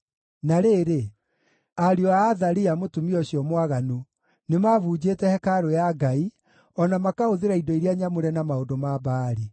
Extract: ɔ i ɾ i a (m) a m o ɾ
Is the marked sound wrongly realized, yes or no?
yes